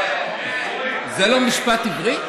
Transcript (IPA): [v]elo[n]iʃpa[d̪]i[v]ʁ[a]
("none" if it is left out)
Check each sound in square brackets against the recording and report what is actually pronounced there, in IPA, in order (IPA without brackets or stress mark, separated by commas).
z, m, t̪, v, i